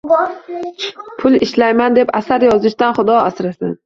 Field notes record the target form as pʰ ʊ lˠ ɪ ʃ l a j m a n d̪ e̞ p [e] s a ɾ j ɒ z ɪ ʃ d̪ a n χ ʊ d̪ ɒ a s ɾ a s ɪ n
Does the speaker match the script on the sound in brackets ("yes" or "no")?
no